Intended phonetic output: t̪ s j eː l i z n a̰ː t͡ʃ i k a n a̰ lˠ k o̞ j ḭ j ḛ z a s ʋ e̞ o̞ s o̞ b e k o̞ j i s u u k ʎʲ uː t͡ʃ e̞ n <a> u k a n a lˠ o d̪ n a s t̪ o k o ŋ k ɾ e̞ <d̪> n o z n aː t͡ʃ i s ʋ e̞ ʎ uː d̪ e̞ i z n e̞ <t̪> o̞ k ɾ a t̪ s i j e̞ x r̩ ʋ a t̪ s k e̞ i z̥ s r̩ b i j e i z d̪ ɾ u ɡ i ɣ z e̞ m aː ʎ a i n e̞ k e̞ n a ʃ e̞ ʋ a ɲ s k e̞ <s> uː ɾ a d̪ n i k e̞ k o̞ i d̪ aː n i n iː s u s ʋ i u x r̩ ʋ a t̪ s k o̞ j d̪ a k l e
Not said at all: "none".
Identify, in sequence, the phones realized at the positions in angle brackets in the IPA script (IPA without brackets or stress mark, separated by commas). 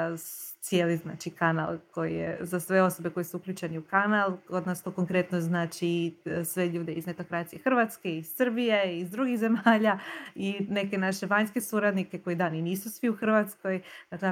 i, t̪, t̪, s